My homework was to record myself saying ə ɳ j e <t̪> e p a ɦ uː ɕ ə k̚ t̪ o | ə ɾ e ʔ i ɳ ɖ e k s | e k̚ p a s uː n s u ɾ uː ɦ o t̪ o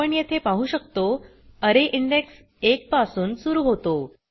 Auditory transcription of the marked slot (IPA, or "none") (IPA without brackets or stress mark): t̪ʰ